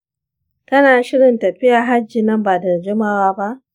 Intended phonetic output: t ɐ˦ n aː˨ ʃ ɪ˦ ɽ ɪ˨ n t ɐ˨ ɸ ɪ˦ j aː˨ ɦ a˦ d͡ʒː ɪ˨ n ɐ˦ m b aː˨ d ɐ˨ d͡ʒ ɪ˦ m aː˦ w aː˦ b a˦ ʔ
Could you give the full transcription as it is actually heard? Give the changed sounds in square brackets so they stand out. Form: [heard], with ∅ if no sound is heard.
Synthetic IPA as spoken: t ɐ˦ n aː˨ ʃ ɪ˦ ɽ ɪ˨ n t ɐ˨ ɸ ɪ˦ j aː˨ ɦ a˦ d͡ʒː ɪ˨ n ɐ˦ m b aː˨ d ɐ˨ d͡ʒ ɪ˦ m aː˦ w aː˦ b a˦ ʔ